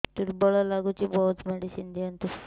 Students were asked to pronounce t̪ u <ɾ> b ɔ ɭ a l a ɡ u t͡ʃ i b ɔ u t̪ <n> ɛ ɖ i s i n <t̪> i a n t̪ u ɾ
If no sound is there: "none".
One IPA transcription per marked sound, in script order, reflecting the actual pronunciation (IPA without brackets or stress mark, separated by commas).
ɾ, m, d̪